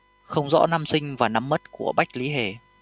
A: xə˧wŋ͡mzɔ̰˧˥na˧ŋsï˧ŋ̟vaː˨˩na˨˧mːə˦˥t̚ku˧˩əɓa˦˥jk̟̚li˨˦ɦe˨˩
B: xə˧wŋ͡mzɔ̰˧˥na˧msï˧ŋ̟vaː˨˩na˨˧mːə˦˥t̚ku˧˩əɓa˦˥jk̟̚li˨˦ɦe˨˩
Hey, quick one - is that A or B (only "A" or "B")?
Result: B